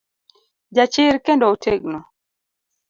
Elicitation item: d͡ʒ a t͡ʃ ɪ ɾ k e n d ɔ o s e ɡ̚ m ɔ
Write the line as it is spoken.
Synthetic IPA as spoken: d͡ʒ a t͡ʃ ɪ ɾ k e n d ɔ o t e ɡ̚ n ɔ

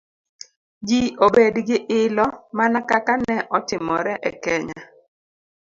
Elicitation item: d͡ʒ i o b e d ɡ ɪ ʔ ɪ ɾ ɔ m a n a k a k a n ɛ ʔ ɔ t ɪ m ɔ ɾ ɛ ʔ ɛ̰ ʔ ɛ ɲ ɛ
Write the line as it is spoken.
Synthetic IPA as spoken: d͡ʒ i o b e d ɡ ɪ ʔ ɪ l ɔ m a n a k a k a n ɛ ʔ ɔ t ɪ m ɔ ɾ ɛ ʔ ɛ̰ k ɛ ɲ a

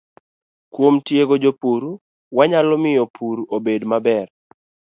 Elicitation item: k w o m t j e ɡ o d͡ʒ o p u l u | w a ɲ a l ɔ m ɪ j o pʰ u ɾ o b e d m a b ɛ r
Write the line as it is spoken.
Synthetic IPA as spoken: k w o m t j e ɡ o d͡ʒ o p u ɾ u | w a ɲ a l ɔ m ɪ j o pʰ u ɾ o b e d m a b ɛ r

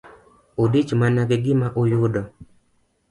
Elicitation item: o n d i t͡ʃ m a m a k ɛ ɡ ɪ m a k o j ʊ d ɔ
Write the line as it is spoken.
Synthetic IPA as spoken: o d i t͡ʃ m a n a ɡ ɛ ɡ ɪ m a ʔ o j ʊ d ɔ

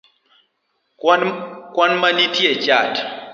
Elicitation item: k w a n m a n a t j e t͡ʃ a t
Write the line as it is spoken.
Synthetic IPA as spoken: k w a n m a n i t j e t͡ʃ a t

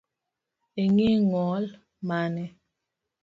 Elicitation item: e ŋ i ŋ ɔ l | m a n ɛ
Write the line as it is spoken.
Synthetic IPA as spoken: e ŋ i ŋ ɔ l | m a n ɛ

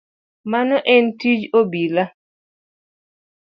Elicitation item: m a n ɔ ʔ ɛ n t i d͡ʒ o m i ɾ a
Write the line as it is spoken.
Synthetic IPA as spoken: m a n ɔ ʔ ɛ n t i d͡ʒ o b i l a

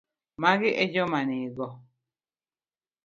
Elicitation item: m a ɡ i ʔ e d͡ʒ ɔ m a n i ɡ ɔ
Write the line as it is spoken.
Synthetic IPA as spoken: m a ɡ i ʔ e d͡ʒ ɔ m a n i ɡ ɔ

